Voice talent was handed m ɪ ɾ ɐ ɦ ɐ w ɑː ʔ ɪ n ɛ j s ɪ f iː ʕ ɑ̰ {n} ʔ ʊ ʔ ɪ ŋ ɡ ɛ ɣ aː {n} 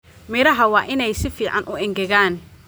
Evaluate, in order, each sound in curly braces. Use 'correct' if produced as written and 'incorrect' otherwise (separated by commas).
correct, correct